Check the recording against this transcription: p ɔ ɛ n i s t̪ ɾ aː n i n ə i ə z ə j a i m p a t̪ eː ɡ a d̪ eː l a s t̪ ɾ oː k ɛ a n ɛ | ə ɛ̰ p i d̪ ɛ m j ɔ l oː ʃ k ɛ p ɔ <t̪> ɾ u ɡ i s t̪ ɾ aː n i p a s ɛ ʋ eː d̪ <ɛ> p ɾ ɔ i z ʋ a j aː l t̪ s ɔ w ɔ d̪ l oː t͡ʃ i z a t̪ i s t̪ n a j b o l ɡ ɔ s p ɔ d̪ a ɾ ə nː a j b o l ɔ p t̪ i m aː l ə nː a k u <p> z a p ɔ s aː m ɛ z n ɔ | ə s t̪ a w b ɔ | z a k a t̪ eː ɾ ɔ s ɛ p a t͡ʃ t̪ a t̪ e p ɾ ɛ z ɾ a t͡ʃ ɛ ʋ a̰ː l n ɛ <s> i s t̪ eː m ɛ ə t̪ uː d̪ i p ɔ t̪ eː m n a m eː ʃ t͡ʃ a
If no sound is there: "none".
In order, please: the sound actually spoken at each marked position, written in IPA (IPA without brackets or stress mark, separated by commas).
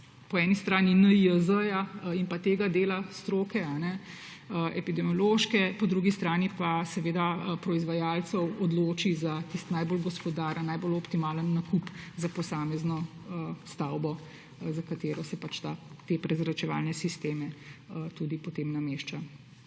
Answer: d̪, a, p, s